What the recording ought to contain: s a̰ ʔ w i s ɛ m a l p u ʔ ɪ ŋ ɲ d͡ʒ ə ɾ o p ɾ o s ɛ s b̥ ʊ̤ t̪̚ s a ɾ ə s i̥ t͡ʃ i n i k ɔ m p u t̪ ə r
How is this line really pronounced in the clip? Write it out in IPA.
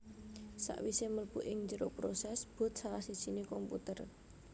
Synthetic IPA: s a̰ ʔ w i s e m ə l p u ʔ ɪ ŋ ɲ d͡ʒ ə ɾ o p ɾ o s ɛ s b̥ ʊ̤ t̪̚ s a ɾ a s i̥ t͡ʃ i n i k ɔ m p u t̪ ə r